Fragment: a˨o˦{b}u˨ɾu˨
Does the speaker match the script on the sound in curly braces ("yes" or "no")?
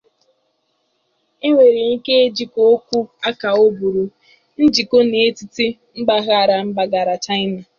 yes